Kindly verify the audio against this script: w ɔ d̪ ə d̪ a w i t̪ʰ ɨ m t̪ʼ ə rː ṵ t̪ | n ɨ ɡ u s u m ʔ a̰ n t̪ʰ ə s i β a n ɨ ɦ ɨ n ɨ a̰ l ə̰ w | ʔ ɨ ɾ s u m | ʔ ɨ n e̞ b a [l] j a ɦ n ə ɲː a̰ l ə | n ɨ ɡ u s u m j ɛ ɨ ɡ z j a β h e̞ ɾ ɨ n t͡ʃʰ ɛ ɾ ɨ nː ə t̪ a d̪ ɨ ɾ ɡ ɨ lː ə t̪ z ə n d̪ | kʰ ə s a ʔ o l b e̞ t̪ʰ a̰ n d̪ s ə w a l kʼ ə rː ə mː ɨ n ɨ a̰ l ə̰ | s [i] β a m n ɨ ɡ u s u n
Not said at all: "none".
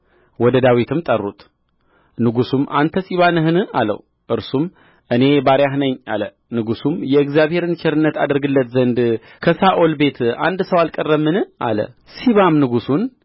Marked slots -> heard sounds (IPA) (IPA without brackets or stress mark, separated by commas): ɾ, i